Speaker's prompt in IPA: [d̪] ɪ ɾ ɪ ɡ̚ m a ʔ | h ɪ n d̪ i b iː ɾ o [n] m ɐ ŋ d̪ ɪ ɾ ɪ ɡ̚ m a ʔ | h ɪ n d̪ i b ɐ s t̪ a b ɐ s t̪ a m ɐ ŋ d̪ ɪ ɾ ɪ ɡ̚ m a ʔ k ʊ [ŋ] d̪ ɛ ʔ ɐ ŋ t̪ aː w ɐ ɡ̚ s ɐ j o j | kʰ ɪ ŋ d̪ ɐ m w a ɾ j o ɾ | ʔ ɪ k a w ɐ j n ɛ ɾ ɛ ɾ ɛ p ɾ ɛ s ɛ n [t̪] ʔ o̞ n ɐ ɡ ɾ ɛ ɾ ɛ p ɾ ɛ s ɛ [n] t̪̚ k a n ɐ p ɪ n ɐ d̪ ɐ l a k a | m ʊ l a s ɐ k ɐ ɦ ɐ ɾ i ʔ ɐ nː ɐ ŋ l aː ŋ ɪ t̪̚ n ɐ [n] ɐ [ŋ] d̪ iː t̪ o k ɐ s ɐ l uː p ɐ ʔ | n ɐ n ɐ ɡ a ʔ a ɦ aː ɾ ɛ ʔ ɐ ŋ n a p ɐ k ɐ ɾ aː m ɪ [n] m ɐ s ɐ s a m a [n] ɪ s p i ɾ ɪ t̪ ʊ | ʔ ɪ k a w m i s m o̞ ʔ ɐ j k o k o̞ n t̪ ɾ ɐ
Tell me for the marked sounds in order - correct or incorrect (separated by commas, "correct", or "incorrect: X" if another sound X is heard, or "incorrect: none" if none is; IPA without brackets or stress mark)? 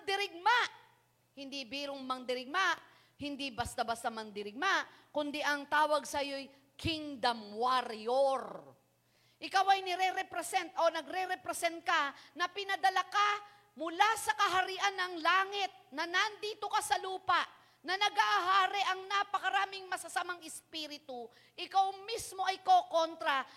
correct, incorrect: ŋ, incorrect: n, correct, correct, correct, incorrect: n, incorrect: ŋ, incorrect: ŋ